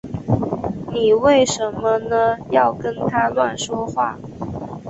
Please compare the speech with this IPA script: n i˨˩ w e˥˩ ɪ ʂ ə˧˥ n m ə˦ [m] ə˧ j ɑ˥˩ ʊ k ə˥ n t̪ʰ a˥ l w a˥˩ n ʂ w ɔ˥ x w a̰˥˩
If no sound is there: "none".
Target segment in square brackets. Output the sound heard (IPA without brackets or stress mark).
n